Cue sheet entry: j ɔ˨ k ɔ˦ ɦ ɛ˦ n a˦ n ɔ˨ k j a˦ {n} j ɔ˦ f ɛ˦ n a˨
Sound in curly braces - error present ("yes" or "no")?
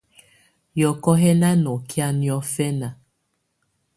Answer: no